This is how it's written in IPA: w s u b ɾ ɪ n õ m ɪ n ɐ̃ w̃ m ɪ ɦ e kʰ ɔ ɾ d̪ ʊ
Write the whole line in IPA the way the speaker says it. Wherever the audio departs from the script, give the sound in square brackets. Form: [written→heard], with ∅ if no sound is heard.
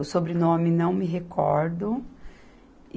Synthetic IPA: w s [u→o] b ɾ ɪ n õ m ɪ n ɐ̃ w̃ m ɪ ɦ e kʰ ɔ ɾ d̪ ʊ